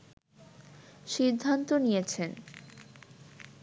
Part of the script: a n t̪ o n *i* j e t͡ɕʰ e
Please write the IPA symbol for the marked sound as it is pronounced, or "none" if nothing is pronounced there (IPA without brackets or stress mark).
i